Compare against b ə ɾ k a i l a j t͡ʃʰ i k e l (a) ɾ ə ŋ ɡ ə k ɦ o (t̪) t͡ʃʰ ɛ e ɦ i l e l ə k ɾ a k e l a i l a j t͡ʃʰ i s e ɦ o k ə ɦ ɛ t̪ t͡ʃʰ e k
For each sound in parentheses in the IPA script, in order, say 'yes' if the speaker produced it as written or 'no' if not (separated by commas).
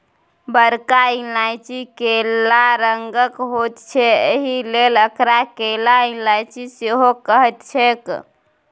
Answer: yes, yes